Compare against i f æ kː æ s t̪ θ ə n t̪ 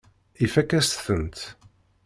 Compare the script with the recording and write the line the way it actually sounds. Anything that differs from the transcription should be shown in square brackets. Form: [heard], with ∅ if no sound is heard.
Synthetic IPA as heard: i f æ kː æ s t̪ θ ə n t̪